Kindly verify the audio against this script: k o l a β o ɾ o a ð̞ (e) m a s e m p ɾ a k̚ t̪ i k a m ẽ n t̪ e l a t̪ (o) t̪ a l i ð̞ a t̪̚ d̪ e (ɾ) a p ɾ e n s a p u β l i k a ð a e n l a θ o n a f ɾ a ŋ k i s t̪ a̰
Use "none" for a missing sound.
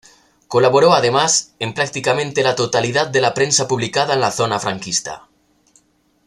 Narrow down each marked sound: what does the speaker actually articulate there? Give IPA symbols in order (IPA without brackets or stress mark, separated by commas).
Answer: e, o, l